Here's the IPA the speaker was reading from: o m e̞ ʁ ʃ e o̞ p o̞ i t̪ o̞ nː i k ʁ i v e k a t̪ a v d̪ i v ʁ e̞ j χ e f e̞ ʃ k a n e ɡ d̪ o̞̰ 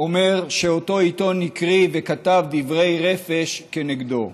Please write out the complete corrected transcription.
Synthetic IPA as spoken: o m e̞ ʁ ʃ e o̞ t o̞ i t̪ o̞ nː i k ʁ i v e k a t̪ a v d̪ i v ʁ e̞ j ʁ e f e̞ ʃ k e n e ɡ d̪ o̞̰

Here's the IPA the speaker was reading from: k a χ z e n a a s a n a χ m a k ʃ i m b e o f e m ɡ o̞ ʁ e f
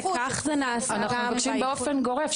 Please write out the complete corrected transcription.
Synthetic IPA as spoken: k a χ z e n a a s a n a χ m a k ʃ i m b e o f e n ɡ o̞ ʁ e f

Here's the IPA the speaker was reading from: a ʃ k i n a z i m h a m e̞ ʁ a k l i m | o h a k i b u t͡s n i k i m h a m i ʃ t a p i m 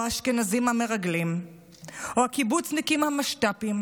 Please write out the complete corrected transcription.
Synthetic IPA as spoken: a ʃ k e n a z i m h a m e̞ ʁ a ɡ l i m | o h a k i b u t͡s n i k i m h a m a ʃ t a p i m

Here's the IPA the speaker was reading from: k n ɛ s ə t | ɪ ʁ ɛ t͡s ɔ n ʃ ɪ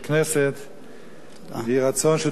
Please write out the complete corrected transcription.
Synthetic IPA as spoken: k n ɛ s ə t | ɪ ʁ a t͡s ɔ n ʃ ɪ

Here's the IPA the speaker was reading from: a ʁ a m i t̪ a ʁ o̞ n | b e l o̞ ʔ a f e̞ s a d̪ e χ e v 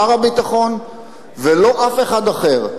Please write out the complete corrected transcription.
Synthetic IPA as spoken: a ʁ a b i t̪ a χ o̞ n | v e l o̞ ʔ a f e̞ χ a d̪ a χ e ʁ

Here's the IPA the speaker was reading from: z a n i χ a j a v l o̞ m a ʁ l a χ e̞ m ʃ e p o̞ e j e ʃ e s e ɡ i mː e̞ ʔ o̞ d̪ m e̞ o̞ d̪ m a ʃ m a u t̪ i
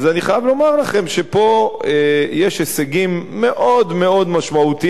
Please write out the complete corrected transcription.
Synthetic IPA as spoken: z a n i χ a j a v l o̞ m a ʁ l a χ e̞ m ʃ e p o̞ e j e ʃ e s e ɡ i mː e̞ ʔ o̞ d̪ m e̞ o̞ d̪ m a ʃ m a u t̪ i

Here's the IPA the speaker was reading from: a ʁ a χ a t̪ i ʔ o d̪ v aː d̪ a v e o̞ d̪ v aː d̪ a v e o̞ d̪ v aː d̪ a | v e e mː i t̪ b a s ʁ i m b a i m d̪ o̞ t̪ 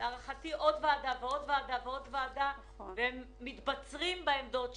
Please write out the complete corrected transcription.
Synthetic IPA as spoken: a ʁ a χ a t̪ i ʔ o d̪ v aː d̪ a v e o̞ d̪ v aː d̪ a v e o̞ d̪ v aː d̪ a | v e e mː i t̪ b a t͡s ʁ i m b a e m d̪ o̞ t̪

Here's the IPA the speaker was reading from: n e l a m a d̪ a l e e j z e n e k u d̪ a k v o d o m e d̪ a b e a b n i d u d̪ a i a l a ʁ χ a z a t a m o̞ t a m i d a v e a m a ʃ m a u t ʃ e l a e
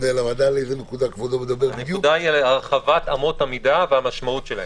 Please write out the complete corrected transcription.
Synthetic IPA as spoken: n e l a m a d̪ a l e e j z e n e k u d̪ a k v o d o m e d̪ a b e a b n e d u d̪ a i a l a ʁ χ a v a t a m o̞ t a m i d a v e a m a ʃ m a u t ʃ e l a e

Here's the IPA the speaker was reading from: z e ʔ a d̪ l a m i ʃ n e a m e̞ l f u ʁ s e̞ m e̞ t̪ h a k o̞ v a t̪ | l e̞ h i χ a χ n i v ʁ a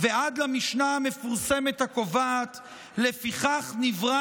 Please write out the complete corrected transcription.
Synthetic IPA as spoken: v e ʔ a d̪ l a m i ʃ n a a m e̞ f u ʁ s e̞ m e̞ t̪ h a k o̞ v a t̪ | l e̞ f i χ a χ n i v ʁ a

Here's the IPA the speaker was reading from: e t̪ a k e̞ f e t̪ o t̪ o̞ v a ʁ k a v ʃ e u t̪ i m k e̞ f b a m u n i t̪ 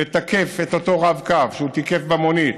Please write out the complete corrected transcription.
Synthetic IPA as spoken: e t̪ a k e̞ f e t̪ o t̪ o̞ ʁ a v k a v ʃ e u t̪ i k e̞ f b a m o n i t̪

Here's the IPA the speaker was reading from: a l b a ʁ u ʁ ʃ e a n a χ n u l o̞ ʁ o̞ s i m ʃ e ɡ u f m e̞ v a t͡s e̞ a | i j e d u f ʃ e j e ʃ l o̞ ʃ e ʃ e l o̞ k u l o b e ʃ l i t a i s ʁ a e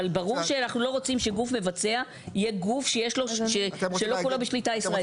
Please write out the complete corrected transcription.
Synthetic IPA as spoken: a l b a ʁ u ʁ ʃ e a n a χ n u l o̞ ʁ o̞ t͡s i m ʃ e ɡ u f m e̞ v a t͡s e̞ a | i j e ɡ u f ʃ e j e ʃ l o̞ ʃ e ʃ e l o̞ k u l o b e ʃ l i t a i s ʁ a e

